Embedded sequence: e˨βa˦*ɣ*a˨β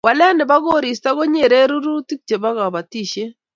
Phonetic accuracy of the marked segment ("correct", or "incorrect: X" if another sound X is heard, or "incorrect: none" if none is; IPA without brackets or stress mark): correct